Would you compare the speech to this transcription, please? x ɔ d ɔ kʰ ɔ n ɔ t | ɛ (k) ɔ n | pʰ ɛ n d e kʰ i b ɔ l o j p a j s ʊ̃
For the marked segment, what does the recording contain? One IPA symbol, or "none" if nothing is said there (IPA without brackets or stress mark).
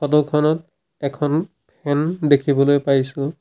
kʰ